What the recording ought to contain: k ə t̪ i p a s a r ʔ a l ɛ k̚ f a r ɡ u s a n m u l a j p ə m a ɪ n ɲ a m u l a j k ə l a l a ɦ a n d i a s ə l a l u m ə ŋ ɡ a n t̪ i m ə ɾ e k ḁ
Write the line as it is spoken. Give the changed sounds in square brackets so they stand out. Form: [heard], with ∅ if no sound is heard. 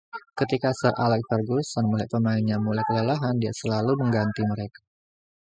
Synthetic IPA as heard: k ə t̪ i [k] a s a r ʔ a l ɛ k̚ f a r ɡ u s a n m u l a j p ə m a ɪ n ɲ a m u l a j k ə l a l a ɦ a n d i a s ə l a l u m ə ŋ ɡ a n t̪ i m ə ɾ e k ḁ